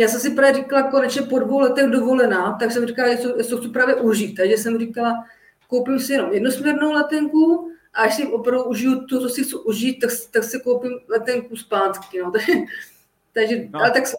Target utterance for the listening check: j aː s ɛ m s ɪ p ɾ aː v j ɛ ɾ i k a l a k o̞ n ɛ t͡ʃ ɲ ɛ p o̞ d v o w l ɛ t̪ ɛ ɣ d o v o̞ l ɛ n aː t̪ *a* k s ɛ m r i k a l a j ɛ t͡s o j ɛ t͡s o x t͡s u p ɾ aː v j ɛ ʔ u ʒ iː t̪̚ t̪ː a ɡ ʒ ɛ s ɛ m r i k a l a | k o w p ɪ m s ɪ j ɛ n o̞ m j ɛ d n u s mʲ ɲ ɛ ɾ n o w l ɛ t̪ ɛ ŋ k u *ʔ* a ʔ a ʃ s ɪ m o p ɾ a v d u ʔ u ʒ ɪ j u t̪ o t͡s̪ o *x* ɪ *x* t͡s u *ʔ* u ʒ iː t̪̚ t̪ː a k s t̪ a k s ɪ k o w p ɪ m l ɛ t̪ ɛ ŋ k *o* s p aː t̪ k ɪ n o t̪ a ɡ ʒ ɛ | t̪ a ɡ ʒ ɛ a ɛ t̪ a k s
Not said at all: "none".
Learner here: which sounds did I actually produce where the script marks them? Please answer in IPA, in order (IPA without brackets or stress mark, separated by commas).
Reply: a, ʔ, s, x, ʔ, u